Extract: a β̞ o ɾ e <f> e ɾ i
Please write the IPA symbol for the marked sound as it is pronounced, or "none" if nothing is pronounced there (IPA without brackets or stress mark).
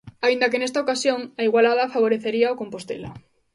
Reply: θ